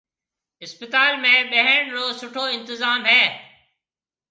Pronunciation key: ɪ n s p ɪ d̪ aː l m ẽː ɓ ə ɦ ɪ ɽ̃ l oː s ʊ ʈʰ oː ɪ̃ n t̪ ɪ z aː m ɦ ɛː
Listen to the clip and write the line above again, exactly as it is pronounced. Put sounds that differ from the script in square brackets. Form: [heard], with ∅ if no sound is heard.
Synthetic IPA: ɪ [∅] s p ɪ [t̪] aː l m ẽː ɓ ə ɦ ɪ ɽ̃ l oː s ʊ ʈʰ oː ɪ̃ n t̪ ɪ z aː m ɦ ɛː